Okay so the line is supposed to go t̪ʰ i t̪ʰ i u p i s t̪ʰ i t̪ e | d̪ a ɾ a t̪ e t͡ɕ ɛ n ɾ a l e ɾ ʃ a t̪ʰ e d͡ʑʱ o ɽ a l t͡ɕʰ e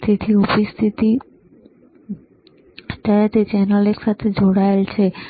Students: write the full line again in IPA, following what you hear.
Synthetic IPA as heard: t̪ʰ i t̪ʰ i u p i s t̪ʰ i t̪ i | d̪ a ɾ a t̪ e t͡ɕ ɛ n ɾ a l e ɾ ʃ a t̪ʰ e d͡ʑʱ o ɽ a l t͡ɕʰ e